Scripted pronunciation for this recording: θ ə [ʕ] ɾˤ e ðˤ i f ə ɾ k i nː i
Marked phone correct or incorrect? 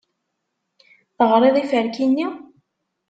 incorrect